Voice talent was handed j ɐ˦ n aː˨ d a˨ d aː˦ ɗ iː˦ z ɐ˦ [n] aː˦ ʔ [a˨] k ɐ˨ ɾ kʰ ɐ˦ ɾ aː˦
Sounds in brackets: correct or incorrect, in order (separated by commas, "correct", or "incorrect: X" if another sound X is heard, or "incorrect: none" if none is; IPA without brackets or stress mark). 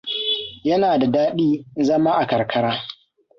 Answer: incorrect: m, correct